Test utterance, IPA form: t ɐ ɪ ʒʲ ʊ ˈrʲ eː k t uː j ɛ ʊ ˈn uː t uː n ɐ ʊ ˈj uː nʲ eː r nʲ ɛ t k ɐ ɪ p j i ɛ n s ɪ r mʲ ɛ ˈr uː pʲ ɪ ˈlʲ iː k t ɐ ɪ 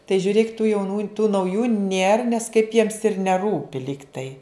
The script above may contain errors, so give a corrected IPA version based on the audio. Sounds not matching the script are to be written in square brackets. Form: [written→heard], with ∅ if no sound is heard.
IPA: t ɐ ɪ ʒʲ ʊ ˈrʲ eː k t uː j ɛ ʊ ˈn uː t uː n ɐ ʊ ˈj uː nʲ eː r nʲ ɛ [t→s] k ɐ ɪ p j i ɛ [n→m] s ɪ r [mʲ→nʲ] ɛ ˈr uː pʲ ɪ ˈlʲ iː k t ɐ ɪ